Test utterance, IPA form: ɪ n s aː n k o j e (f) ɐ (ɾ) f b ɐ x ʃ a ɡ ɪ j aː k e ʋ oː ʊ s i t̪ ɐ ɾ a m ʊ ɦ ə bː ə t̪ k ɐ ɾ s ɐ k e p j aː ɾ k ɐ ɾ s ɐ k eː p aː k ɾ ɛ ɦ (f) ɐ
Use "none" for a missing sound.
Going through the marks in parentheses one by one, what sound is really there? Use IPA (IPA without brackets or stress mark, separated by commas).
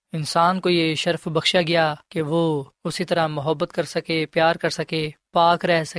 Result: ʃ, ɾ, s